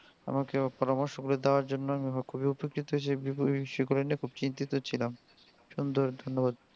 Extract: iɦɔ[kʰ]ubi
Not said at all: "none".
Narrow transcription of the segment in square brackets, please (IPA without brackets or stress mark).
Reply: kʰ